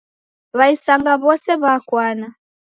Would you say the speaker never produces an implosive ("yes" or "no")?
yes